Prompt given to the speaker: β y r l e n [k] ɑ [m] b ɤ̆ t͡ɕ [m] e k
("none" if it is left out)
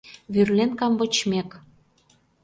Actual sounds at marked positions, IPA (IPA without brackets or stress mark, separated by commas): k, m, m